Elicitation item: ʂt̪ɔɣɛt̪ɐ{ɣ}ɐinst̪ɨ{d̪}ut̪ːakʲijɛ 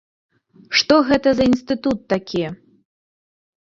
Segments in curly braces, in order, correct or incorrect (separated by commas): incorrect, incorrect